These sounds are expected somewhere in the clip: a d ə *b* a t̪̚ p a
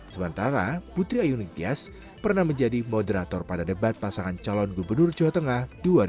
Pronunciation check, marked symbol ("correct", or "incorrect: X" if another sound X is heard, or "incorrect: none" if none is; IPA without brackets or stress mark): correct